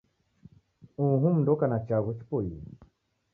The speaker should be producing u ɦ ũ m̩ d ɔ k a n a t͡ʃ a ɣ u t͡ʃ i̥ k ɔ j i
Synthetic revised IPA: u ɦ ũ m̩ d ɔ k a n a t͡ʃ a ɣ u t͡ʃ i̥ p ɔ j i